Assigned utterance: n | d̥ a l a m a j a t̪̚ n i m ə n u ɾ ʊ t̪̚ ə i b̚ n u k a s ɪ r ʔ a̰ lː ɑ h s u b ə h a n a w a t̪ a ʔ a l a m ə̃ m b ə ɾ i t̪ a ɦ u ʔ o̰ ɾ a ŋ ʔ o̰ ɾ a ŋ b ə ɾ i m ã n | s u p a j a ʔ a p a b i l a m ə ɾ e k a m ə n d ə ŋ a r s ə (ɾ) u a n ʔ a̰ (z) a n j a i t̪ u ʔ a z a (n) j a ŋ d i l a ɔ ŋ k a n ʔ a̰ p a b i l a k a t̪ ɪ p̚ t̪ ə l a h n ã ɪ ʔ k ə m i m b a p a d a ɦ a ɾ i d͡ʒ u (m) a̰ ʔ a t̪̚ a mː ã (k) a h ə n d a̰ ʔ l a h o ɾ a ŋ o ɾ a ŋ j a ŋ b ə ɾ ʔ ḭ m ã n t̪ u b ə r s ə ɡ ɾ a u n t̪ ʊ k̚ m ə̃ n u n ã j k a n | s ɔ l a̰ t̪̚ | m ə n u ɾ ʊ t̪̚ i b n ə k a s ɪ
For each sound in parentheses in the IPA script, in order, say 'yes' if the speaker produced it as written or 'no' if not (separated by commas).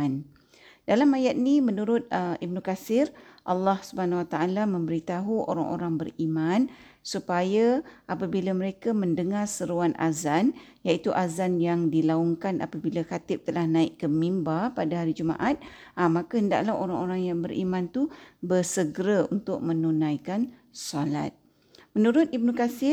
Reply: yes, yes, yes, yes, yes